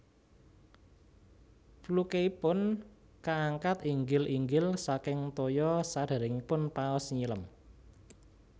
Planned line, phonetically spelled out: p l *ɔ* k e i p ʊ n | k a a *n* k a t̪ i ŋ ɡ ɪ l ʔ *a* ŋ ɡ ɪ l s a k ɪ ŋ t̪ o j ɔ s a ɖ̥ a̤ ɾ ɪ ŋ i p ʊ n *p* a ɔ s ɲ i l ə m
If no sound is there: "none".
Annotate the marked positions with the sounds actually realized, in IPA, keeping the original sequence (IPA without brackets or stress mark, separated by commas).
u, ŋ, i, p